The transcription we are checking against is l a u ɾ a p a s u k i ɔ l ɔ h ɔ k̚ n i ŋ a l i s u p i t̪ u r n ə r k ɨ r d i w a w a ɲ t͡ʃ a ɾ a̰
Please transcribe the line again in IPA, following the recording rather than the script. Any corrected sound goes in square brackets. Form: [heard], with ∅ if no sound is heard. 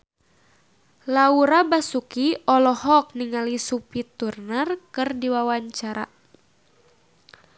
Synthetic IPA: l a u ɾ a [b] a s u k i ɔ l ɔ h ɔ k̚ n i ŋ a l i s u p i t̪ u r n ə r k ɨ r d i w a w a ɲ t͡ʃ a ɾ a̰